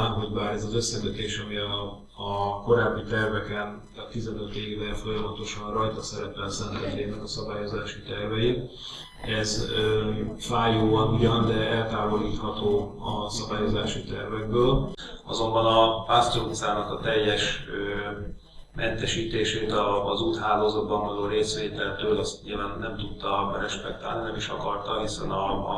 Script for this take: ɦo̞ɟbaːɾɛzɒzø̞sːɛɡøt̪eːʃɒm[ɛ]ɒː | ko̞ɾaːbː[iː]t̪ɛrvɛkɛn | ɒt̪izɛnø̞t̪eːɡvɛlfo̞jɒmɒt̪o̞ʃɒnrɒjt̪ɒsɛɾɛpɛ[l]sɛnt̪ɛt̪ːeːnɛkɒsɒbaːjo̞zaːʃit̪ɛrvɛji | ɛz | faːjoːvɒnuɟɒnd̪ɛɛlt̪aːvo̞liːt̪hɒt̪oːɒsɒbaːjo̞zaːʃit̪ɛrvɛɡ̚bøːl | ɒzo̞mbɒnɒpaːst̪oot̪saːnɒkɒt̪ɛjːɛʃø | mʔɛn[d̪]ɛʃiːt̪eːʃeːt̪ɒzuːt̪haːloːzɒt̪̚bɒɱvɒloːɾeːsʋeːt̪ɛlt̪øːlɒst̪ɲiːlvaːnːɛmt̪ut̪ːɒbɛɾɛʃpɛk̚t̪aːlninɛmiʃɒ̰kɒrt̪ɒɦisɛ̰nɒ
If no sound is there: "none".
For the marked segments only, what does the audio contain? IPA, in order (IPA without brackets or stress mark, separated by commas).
i, i, l, t̪